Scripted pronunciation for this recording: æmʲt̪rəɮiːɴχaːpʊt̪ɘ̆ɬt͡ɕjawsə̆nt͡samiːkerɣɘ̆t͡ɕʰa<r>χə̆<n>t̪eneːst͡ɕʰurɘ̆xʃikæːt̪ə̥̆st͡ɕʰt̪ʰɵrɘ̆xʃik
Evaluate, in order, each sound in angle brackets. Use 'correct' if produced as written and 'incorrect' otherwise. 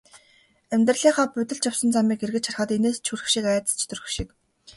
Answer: correct, incorrect: none

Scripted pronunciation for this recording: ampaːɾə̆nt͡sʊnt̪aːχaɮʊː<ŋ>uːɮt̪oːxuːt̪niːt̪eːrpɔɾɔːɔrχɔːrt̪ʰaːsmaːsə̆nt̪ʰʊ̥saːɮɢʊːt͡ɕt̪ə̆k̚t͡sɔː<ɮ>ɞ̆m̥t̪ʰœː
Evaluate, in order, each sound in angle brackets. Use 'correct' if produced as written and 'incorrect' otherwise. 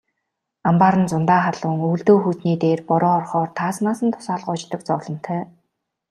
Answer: correct, correct

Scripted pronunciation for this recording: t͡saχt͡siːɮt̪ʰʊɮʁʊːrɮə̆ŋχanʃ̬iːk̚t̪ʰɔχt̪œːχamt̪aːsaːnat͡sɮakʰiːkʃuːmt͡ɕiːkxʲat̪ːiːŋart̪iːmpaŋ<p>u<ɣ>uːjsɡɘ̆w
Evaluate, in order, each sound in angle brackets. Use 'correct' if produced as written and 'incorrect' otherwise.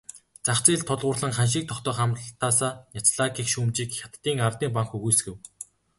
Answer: incorrect: k, correct

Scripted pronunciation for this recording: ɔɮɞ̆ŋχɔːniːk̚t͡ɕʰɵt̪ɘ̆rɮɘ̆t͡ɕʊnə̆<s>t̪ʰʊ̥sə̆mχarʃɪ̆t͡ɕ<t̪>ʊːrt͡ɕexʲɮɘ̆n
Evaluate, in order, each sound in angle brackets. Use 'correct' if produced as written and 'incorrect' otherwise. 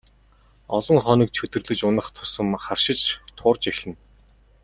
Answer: incorrect: χ, incorrect: t̪ʰ

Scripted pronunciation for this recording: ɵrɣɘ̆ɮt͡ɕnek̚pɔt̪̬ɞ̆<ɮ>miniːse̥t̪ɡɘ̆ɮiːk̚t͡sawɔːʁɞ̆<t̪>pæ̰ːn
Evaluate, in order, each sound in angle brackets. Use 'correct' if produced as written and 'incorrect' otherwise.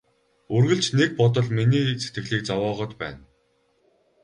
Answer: correct, correct

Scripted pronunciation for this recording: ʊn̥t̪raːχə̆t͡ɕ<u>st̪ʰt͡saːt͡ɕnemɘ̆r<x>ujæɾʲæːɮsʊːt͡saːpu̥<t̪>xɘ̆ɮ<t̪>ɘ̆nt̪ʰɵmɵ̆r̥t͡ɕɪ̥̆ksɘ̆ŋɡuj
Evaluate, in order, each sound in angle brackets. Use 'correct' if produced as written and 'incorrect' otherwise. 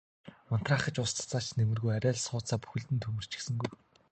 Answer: incorrect: ʊ, incorrect: ɣ, incorrect: none, correct

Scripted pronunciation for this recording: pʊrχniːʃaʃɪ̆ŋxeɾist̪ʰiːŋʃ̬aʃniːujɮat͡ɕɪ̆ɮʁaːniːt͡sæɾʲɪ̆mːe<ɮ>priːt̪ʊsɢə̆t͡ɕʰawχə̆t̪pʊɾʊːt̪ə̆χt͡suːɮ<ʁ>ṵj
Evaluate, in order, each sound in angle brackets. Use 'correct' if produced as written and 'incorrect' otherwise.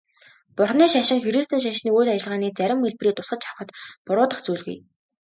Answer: correct, incorrect: ɣ

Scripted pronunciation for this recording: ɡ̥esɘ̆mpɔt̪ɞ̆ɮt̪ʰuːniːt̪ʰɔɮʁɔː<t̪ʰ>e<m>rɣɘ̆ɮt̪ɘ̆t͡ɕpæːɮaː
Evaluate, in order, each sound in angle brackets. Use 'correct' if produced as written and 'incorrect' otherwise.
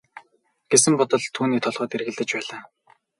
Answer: incorrect: t̪, incorrect: none

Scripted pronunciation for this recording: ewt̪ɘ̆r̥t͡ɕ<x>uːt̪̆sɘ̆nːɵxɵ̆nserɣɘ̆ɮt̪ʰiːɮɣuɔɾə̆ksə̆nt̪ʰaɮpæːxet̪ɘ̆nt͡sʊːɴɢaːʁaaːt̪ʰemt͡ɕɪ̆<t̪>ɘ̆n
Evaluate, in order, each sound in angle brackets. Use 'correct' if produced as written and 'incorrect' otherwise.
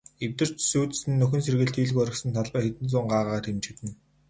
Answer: incorrect: s, correct

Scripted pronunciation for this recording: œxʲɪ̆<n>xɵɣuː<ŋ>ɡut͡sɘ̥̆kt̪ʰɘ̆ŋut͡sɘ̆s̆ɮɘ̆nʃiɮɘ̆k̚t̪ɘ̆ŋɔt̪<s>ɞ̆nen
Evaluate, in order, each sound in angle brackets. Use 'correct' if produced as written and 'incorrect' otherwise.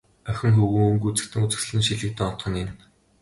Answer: incorrect: ŋ, correct, incorrect: χ

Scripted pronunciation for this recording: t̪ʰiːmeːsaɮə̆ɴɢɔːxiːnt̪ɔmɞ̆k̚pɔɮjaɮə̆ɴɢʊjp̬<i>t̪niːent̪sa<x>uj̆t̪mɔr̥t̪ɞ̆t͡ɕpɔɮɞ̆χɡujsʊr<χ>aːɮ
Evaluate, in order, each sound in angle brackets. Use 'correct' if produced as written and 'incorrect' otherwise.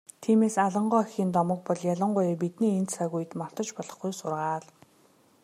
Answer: correct, incorrect: ɣ, incorrect: ʁ

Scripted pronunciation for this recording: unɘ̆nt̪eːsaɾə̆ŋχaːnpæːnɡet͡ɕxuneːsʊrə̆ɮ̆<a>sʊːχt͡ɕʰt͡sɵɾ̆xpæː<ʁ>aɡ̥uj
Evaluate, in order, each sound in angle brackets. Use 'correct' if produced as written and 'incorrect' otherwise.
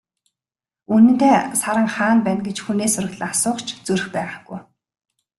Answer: correct, correct

